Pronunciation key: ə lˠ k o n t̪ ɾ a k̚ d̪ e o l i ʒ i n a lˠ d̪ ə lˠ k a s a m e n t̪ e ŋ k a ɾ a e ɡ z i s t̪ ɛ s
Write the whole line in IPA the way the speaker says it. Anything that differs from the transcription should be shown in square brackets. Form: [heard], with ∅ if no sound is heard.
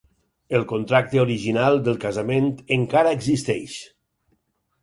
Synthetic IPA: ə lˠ k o n t̪ ɾ a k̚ [t̪] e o [ɾ] i ʒ i n a lˠ d̪ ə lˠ k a [z] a m e n t̪ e ŋ k a ɾ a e ɡ z i s t̪ ɛ [ʃ]